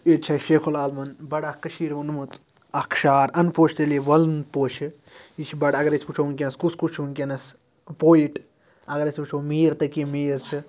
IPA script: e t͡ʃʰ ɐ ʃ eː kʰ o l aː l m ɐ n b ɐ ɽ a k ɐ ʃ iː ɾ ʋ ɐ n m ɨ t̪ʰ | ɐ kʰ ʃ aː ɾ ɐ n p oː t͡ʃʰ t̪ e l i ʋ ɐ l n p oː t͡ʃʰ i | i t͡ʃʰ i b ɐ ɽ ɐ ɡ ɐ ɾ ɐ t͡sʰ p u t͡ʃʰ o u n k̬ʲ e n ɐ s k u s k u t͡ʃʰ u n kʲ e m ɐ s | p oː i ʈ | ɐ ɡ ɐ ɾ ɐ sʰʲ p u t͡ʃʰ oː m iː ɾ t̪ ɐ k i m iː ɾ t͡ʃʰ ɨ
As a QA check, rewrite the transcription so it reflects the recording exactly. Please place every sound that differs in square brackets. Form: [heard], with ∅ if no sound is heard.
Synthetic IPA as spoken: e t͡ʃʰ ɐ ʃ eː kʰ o l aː l m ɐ n b ɐ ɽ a k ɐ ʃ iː ɾ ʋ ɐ n m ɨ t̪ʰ | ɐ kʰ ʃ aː ɾ ɐ n p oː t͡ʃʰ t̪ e l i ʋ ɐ l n p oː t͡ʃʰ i | i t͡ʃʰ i b ɐ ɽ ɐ ɡ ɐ ɾ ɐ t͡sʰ p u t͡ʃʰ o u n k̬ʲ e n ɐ s k u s k u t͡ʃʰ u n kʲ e [n] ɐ s | p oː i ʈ | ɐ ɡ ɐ ɾ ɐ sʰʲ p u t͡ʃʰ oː m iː ɾ t̪ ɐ k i m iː ɾ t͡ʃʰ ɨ